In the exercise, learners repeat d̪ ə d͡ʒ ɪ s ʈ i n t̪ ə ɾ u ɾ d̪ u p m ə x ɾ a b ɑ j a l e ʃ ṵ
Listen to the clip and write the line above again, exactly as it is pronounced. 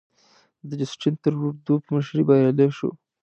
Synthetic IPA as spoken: d̪ ə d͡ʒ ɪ s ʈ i n t̪ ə ɾ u ɾ d̪ u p m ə ʃ ɾ i b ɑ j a l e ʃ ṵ